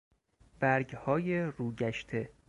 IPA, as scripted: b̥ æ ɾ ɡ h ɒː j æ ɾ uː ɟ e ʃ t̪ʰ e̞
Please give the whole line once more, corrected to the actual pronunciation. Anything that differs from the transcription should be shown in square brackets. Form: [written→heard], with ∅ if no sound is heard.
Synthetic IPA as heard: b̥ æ ɾ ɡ h ɒː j [æ→e] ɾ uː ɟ [e→æ] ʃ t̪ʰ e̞